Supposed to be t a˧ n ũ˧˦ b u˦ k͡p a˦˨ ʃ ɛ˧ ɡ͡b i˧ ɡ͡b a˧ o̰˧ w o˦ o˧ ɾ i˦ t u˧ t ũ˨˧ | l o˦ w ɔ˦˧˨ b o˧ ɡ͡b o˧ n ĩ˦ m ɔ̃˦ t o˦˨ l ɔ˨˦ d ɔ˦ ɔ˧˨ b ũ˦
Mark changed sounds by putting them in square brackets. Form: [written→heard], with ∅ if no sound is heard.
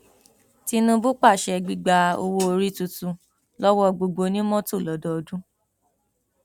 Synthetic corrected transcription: t [a˧→i˧] n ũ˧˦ b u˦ k͡p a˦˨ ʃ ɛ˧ ɡ͡b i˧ ɡ͡b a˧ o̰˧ w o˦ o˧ ɾ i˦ t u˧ t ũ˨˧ | l [o˦→ɔ˦] w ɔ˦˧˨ [b→ɡ͡b] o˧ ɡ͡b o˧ n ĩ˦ m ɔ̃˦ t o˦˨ l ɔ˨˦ d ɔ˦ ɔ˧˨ [b→d] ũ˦